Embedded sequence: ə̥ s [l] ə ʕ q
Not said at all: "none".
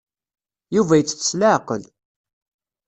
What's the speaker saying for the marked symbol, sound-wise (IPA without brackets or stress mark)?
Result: l